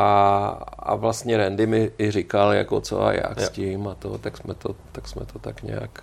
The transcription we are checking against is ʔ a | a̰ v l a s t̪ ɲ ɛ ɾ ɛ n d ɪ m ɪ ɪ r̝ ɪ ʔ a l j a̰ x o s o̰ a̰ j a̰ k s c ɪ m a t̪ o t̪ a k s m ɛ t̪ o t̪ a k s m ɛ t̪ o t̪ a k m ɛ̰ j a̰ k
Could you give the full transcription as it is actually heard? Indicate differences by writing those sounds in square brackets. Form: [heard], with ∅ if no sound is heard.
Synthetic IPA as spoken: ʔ a | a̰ v l a s t̪ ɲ ɛ ɾ ɛ n d ɪ m ɪ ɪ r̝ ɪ [k] a l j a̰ [k] o [t͡s] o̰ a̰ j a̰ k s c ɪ m a t̪ o t̪ a k s m ɛ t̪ o t̪ a k s m ɛ t̪ o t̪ a k [ɲ] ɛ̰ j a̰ k